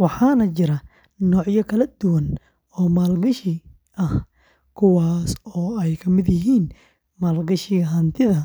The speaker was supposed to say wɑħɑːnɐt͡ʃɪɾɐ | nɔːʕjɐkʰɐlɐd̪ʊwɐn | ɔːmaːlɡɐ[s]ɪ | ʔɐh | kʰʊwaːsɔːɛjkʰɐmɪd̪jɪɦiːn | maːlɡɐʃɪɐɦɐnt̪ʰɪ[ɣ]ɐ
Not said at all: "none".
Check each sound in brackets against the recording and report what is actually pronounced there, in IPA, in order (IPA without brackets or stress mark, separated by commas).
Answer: ʃ, ð